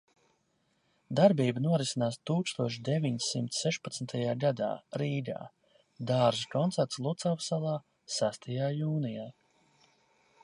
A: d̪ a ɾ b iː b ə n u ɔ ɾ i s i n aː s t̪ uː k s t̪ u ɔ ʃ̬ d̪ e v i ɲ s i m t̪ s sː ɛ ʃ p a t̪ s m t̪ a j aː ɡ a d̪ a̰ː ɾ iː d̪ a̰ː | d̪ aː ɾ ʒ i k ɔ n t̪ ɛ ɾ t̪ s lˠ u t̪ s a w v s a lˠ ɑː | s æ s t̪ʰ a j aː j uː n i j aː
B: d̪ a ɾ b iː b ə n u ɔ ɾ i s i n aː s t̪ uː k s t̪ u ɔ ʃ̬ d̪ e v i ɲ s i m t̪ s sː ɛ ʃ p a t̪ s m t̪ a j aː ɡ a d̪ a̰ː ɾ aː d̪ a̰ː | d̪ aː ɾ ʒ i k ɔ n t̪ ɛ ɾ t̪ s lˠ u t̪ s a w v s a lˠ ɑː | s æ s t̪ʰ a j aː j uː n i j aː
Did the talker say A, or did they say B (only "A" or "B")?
A